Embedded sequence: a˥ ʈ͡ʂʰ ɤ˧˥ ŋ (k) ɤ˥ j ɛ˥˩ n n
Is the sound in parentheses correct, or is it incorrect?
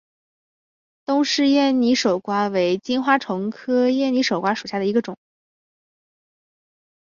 incorrect: kʰ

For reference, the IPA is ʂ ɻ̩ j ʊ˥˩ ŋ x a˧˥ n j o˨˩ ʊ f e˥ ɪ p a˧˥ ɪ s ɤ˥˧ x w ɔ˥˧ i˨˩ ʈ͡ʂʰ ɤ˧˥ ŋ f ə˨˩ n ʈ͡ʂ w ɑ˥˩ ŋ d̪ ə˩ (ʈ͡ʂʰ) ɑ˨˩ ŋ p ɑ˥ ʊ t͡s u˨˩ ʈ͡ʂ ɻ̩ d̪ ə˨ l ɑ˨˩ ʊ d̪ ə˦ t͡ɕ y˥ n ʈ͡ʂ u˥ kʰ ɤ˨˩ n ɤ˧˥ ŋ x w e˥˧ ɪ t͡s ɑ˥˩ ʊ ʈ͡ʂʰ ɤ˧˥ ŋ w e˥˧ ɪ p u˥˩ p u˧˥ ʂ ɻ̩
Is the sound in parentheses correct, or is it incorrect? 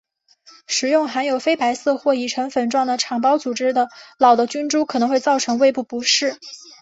correct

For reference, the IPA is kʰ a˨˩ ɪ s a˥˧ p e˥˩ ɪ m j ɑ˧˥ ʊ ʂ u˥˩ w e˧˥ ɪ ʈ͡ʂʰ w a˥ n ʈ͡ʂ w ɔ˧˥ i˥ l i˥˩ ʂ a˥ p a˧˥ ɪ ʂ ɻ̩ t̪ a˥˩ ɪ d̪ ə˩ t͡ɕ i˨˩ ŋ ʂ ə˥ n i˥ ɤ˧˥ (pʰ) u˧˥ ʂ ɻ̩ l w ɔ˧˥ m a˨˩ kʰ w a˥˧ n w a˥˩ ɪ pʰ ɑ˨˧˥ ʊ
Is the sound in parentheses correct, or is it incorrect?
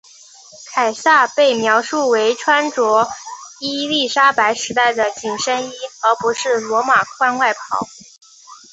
incorrect: p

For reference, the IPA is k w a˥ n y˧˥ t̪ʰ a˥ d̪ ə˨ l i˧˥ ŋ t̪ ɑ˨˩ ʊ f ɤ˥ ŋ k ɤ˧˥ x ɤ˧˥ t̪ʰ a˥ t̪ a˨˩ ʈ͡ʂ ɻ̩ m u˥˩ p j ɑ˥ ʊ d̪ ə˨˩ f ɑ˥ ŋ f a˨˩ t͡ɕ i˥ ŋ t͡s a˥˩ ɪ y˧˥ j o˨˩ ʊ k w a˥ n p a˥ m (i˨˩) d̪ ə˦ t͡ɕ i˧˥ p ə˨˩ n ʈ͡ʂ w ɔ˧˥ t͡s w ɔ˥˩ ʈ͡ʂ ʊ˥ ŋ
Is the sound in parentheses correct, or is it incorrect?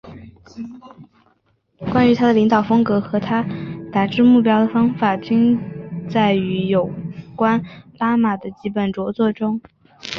incorrect: a˨˩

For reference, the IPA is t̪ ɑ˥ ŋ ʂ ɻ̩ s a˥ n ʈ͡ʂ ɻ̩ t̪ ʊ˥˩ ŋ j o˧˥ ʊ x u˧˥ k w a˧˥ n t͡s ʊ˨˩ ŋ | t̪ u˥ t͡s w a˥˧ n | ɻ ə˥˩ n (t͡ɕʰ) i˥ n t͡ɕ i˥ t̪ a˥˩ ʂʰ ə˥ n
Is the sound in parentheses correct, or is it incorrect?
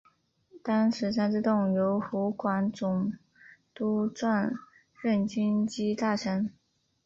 incorrect: t͡ɕ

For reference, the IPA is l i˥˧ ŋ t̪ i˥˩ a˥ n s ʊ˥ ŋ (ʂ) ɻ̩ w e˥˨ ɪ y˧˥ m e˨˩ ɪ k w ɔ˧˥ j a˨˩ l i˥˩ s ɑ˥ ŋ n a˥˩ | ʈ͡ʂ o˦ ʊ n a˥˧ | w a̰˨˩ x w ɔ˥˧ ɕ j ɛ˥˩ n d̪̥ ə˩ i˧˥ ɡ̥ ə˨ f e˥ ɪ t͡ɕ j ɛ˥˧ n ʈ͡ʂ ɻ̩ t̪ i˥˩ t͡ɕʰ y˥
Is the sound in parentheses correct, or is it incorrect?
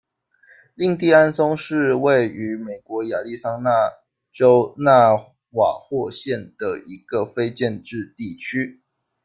correct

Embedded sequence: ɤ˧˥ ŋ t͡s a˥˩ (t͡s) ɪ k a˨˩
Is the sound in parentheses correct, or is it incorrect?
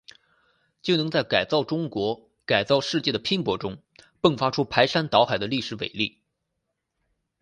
incorrect: none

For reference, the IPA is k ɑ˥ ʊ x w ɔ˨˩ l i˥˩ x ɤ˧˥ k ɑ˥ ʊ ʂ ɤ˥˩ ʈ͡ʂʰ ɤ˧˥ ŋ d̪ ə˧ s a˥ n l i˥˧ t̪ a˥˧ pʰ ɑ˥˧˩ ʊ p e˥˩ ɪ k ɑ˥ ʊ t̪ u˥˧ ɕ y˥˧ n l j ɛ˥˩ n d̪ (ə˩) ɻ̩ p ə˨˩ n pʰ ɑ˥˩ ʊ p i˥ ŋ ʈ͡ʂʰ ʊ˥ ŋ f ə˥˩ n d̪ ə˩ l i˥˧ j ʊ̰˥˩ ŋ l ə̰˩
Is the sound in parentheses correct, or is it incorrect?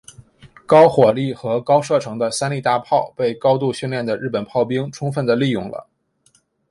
correct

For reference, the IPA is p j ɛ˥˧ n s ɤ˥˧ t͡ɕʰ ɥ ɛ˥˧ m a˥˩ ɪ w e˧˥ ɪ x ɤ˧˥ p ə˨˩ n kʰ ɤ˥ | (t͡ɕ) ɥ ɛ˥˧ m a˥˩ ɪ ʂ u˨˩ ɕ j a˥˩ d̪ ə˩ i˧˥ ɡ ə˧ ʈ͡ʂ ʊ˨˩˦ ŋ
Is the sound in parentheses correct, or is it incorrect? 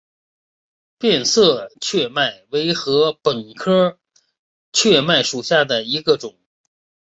incorrect: t͡ɕʰ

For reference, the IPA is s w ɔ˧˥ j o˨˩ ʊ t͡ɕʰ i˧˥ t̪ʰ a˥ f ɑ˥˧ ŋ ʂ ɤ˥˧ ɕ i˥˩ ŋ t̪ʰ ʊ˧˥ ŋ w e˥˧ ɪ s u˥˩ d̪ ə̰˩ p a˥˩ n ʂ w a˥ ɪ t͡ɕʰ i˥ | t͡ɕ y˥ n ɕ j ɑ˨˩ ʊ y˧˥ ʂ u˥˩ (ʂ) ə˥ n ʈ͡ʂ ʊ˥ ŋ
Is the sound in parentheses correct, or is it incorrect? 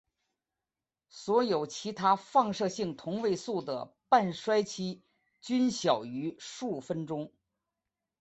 incorrect: f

